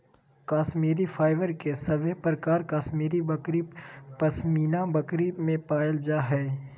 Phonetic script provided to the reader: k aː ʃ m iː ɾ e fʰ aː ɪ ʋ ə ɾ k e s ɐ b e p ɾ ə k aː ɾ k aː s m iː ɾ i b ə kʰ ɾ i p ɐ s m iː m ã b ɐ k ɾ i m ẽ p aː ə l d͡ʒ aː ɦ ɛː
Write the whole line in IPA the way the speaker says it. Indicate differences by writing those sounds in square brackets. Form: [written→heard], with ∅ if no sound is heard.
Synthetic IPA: k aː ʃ m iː ɾ [e→i] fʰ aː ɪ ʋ ə ɾ k e s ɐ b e p ɾ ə k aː ɾ k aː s m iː ɾ i b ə [kʰ→k] ɾ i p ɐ s m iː [m→n] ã b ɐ k ɾ i m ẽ p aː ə l d͡ʒ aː ɦ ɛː

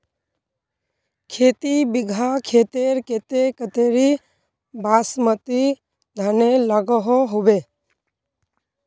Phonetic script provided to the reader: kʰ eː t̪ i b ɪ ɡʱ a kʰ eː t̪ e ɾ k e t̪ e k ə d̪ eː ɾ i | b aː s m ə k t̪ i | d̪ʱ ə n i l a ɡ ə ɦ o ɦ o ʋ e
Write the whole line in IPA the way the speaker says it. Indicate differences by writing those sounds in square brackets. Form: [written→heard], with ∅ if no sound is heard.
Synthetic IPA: kʰ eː t̪ i b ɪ ɡʱ a kʰ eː t̪ e ɾ k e t̪ e k ə [d̪→t̪] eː ɾ i | b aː s m ə [k→∅] t̪ i | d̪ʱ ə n [i→e] l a ɡ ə ɦ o ɦ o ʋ e

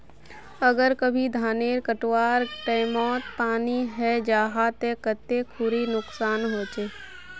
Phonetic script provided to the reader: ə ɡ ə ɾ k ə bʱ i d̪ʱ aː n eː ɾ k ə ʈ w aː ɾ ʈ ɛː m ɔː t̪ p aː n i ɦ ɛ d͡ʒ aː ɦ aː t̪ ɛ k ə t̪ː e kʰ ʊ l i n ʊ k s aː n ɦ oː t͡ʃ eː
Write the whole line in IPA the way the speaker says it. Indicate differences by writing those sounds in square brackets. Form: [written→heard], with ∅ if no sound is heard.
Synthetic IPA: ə ɡ ə ɾ k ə bʱ i d̪ʱ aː n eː ɾ k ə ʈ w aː ɾ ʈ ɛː m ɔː t̪ p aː n i ɦ ɛ d͡ʒ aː ɦ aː t̪ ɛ k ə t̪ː e kʰ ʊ [l→ɾ] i n ʊ k s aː n ɦ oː t͡ʃ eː

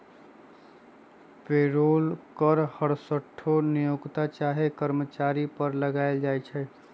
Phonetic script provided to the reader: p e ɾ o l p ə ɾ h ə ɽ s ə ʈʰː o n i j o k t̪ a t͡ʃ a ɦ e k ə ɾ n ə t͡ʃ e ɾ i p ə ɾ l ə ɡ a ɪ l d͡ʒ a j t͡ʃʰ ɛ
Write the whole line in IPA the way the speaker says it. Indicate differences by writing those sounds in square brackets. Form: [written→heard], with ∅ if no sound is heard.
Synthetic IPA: p e ɾ o l [p→k] ə ɾ h ə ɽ s ə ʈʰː o n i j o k t̪ a t͡ʃ a ɦ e k ə ɾ [n→m] ə t͡ʃ [e→a] ɾ i p ə ɾ l ə ɡ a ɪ l d͡ʒ a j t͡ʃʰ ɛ

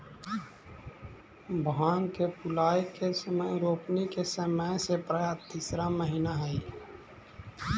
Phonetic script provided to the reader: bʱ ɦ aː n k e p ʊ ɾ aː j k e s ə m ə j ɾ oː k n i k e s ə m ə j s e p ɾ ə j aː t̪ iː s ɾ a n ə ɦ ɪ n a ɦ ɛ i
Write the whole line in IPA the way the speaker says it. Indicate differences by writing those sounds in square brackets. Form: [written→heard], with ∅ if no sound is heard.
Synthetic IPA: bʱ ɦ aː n k e p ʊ [ɾ→l] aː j k e s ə m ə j ɾ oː [k→p] n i k e s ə m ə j s e p ɾ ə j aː t̪ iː s ɾ a [n→m] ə ɦ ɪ n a ɦ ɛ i

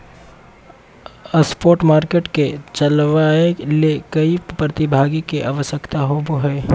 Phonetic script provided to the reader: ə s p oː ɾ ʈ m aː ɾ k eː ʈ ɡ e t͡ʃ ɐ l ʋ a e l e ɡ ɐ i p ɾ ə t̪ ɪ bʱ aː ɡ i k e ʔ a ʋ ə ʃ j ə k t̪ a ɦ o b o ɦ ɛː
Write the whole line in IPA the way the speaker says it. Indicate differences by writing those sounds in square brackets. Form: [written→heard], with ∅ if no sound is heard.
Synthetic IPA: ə s p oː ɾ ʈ m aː ɾ k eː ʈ [ɡ→k] e t͡ʃ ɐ l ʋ a e l e [ɡ→k] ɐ i p ɾ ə t̪ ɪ bʱ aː ɡ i k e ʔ a ʋ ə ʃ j ə k t̪ a ɦ o b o ɦ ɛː

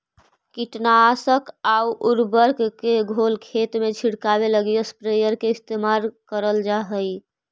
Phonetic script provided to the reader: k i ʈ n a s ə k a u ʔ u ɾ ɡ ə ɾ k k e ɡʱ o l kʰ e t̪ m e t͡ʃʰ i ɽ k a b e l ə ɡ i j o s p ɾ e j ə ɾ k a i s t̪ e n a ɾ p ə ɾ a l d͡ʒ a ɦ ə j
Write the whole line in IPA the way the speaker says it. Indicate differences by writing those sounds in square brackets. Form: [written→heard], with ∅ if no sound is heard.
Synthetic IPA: k i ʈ n a s ə k a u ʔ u ɾ [ɡ→b] ə ɾ k k e ɡʱ o l kʰ e t̪ m e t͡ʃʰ i ɽ k a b e l ə ɡ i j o s p ɾ e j ə ɾ k [a→e] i s t̪ e [n→m] a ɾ [p→k] ə ɾ [a→ə] l d͡ʒ a ɦ ə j

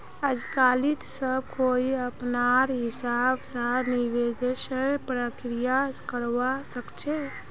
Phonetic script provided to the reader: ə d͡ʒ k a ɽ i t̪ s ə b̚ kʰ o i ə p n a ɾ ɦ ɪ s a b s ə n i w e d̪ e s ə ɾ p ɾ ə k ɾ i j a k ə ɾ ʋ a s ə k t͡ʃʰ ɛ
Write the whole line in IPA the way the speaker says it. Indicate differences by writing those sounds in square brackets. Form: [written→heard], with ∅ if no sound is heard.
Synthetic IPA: ə d͡ʒ k a [ɽ→l] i t̪ s ə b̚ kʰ o i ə p n a ɾ ɦ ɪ s a b s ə n i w e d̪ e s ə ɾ p ɾ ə k ɾ i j a k ə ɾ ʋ a s ə k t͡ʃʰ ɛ

